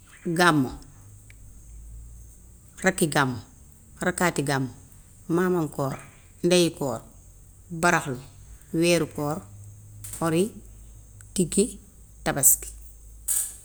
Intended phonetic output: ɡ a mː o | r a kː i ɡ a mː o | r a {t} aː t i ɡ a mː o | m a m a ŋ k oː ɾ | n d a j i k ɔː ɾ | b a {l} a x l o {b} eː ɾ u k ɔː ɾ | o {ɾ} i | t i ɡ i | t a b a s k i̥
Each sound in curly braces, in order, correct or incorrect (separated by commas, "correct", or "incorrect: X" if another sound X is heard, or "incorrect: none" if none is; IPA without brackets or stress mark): incorrect: k, incorrect: ɾ, incorrect: w, correct